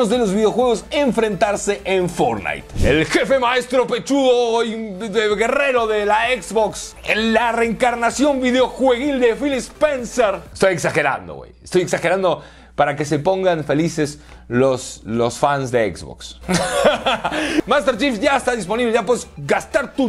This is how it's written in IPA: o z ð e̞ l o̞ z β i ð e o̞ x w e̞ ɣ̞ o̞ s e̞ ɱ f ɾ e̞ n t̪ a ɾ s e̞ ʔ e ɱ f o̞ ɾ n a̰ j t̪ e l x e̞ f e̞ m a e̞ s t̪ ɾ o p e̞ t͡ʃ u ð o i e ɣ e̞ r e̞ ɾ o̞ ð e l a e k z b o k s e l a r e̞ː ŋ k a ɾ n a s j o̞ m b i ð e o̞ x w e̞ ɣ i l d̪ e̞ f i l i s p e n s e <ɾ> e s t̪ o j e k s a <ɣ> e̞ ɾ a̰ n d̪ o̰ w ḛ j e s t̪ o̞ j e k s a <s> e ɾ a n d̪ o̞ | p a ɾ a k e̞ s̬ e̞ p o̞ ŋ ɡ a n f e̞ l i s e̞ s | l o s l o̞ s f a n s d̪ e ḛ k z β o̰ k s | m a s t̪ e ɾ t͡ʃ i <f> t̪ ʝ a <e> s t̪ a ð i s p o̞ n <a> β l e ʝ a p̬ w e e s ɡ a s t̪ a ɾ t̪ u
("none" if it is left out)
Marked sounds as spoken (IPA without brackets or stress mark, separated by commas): ɾ, x, x, f, e, i